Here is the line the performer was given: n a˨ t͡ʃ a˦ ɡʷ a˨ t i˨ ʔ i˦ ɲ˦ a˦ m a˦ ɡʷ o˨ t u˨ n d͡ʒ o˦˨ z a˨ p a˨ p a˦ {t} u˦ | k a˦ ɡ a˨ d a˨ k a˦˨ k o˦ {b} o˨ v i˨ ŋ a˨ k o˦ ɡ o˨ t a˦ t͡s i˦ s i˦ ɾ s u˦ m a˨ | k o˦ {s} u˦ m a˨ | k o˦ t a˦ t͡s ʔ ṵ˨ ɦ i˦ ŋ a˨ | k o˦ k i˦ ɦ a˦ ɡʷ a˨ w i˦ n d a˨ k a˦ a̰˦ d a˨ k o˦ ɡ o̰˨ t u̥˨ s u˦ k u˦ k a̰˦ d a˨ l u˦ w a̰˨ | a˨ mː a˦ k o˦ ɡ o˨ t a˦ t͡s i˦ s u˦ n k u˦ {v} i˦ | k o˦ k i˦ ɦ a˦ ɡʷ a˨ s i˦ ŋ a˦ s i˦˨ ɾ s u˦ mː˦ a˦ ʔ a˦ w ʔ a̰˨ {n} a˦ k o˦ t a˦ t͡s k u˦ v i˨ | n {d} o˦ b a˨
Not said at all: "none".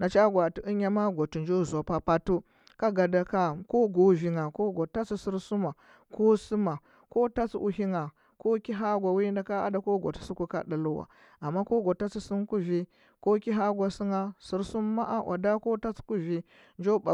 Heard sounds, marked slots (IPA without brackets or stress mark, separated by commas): t, ɡ, s, v, d, d͡ʒ